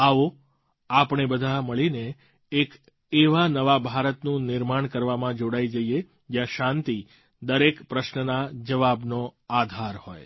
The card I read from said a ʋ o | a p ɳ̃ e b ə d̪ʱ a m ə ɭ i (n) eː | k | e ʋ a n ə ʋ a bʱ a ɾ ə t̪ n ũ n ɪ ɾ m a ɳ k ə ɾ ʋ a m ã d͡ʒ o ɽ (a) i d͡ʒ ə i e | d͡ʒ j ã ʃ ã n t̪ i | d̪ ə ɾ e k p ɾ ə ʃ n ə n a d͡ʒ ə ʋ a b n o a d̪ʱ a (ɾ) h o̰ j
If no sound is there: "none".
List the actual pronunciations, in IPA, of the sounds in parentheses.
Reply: n, a, ɾ

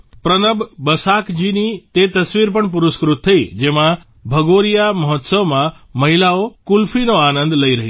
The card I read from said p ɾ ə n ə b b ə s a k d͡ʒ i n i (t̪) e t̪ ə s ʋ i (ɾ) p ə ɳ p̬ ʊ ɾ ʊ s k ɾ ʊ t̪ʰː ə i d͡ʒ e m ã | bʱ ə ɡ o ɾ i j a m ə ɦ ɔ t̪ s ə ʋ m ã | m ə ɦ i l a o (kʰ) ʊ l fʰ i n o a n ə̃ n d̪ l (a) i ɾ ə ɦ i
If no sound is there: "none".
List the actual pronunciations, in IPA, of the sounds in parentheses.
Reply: t̪, ɾ, k, ə

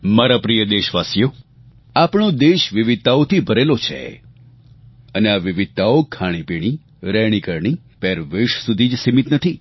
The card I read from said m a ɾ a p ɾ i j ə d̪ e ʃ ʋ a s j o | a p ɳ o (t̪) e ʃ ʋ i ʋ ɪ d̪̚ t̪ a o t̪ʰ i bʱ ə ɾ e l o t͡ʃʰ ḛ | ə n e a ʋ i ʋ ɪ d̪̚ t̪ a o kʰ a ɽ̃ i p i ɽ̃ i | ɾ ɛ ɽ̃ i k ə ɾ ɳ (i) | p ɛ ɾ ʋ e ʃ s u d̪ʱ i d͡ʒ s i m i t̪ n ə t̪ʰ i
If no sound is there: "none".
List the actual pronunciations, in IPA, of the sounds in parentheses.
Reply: d̪, i

